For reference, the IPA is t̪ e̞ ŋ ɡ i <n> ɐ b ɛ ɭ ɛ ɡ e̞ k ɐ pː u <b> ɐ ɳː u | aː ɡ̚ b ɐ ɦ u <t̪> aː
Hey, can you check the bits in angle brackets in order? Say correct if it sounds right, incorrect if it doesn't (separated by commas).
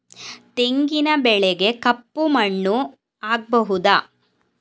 correct, incorrect, incorrect